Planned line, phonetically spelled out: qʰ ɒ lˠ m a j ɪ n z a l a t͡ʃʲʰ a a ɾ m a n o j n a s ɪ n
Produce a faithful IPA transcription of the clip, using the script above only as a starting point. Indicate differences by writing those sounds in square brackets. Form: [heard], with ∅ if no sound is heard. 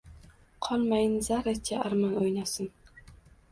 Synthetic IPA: qʰ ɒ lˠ m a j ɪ n z a [ɾ] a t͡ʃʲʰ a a ɾ m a n o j n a s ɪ n